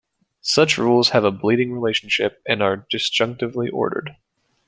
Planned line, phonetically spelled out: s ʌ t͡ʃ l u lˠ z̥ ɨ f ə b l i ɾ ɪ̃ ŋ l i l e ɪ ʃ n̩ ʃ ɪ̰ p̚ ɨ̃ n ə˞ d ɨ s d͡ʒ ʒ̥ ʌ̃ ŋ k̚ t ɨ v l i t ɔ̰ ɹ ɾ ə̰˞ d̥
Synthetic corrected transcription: s ʌ t͡ʃ ɹ u lˠ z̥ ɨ v ə b l i ɾ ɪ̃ ŋ ɹ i l e ɪ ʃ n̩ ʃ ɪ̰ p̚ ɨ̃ n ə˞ d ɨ s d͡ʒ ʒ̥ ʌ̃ ŋ k̚ t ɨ v l i ʔ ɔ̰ ɹ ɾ ə̰˞ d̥